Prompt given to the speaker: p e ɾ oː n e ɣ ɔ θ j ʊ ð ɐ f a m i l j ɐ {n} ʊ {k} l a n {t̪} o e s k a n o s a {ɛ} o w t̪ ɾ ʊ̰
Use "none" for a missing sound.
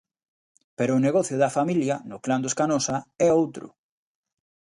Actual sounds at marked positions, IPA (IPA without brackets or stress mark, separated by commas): n, k, d̪, ɛ